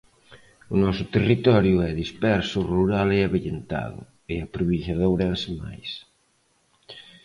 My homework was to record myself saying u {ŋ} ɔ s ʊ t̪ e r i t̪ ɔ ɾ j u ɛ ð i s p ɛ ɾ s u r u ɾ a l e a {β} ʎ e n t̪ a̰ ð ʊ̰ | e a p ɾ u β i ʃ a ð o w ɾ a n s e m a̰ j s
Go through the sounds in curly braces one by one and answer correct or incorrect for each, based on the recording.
incorrect: n, correct

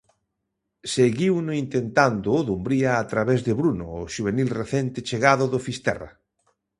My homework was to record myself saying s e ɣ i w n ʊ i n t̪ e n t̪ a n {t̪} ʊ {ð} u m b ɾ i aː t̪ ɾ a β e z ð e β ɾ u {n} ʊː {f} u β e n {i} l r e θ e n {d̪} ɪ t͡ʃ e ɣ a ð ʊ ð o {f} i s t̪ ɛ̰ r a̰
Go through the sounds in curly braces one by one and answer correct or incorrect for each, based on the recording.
incorrect: d̪, correct, correct, incorrect: ʃ, correct, incorrect: t̪, correct

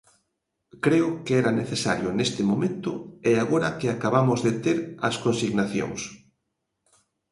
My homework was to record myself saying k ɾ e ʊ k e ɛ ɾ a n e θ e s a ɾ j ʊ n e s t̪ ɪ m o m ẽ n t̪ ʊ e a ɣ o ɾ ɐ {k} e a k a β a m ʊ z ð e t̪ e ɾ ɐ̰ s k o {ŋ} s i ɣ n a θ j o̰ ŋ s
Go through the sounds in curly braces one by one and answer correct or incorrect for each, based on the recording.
correct, incorrect: n

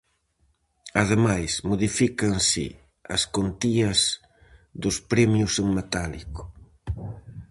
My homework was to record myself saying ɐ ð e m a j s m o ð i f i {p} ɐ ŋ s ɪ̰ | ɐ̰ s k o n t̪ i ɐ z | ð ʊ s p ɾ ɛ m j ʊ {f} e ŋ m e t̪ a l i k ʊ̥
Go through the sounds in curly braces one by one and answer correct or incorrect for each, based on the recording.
incorrect: k, incorrect: s

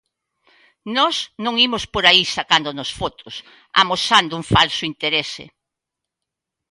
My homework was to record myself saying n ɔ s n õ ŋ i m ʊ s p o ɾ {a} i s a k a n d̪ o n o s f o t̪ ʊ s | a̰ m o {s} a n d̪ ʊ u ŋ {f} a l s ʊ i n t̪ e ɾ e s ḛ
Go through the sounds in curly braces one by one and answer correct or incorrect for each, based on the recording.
correct, correct, correct

